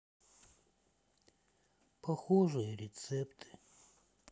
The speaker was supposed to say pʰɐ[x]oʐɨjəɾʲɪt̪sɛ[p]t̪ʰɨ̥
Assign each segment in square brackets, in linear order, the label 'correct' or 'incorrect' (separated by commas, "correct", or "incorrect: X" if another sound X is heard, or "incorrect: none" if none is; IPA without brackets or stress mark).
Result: correct, correct